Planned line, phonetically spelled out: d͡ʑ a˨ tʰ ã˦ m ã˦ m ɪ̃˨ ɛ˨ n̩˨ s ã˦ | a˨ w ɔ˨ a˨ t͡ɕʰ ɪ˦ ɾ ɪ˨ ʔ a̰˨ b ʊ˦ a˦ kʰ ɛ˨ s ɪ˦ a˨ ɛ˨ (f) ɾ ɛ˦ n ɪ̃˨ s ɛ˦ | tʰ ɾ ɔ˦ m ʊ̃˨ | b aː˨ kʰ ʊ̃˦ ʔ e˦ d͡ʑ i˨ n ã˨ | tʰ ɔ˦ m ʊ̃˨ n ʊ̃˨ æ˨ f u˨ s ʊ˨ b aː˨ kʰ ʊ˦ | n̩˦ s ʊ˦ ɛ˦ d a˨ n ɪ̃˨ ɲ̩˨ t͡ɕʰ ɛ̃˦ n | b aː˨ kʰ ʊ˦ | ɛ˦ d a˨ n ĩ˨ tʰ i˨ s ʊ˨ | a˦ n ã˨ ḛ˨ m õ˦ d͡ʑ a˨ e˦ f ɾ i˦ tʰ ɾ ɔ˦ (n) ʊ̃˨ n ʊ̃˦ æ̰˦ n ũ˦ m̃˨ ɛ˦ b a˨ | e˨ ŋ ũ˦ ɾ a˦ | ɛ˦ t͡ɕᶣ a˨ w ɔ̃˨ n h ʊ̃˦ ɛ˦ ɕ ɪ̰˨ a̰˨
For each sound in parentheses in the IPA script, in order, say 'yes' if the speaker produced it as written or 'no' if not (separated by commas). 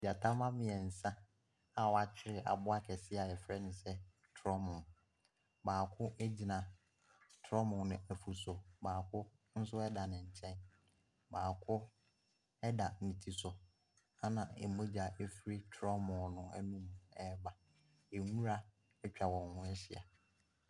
yes, no